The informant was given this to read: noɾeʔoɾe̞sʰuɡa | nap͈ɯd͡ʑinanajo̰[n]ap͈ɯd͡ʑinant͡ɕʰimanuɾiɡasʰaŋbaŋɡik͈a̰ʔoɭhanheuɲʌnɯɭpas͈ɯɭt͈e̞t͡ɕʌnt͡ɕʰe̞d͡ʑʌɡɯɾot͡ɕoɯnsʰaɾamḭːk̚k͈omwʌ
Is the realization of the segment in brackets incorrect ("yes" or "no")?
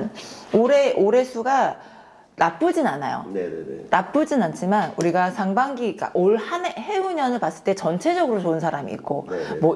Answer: no